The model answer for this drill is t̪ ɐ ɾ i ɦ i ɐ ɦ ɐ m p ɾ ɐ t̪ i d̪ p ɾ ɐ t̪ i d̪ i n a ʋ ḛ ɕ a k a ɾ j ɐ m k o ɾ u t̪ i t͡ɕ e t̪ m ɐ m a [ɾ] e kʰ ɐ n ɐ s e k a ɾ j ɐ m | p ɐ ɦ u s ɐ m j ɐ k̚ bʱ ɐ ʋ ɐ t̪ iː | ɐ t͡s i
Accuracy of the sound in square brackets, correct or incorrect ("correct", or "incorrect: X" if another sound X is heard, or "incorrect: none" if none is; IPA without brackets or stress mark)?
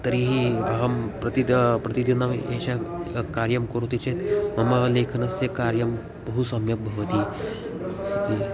incorrect: l